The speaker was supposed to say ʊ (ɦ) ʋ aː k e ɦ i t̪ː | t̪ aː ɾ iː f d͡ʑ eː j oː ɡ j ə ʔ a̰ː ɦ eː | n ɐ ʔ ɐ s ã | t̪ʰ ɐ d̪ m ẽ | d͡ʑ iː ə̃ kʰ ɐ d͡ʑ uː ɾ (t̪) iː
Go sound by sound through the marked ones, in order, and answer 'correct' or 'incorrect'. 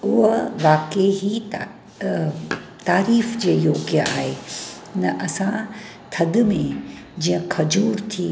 correct, incorrect: t̪ʰ

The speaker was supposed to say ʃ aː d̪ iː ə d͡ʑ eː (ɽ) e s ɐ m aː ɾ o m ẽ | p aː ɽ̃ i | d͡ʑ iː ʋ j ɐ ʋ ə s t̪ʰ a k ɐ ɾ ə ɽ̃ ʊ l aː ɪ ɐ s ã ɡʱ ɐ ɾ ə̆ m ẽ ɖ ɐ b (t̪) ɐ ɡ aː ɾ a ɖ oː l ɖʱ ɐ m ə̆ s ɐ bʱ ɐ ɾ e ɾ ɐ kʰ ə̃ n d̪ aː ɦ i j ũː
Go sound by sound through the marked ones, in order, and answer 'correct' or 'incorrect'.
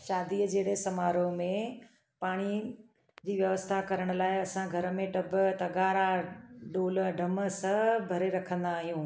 correct, correct

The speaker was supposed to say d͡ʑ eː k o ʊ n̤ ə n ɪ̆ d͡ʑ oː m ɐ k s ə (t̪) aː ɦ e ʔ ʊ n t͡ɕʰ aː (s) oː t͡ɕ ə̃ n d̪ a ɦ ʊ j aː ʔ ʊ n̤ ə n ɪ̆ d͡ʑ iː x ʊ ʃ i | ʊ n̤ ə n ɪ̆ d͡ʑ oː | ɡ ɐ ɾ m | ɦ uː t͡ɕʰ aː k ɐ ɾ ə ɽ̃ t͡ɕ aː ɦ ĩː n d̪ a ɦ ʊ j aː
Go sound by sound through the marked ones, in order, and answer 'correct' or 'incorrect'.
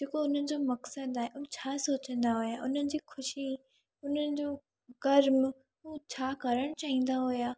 incorrect: d̪, correct

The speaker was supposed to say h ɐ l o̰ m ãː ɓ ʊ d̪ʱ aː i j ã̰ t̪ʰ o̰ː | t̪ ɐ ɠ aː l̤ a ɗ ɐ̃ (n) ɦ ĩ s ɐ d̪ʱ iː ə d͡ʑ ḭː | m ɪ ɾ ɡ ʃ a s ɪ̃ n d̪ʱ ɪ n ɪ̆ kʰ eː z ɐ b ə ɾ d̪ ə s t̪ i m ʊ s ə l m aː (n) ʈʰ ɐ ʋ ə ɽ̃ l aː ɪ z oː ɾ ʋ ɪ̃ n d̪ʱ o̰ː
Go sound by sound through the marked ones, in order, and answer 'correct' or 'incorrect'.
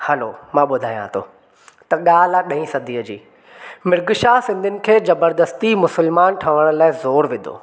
incorrect: none, correct

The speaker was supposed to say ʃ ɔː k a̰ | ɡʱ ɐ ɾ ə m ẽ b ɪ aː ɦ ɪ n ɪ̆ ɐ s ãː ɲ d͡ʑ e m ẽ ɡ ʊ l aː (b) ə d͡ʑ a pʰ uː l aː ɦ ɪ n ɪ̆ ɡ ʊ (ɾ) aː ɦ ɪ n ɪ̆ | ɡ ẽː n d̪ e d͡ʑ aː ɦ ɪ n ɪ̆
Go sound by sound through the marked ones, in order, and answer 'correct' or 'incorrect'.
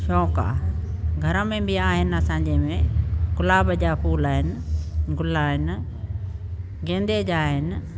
correct, incorrect: l

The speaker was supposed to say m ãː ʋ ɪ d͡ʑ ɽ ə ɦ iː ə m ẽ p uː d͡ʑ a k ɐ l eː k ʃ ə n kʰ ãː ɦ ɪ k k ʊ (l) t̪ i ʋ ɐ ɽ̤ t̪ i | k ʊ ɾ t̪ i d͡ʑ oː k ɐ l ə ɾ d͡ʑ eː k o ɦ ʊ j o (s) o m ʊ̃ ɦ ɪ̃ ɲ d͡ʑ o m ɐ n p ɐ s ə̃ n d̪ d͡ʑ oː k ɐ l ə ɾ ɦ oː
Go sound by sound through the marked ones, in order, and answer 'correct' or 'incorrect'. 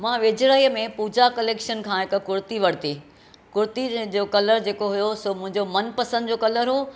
incorrect: ɾ, correct

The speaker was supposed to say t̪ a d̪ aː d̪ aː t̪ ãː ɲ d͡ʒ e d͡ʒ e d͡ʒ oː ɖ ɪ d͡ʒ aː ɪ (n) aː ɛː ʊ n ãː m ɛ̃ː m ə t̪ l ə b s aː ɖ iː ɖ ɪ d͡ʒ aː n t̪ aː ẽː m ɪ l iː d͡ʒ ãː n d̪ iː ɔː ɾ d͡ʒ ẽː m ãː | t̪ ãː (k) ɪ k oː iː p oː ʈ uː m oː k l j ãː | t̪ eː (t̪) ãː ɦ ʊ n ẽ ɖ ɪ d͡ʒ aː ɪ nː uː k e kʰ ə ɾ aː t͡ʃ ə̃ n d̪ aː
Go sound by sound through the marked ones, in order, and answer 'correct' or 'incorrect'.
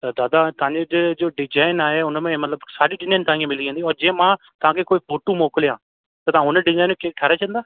correct, correct, correct

